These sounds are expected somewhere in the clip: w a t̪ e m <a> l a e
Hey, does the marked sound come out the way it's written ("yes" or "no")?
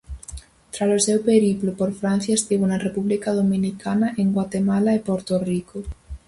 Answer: yes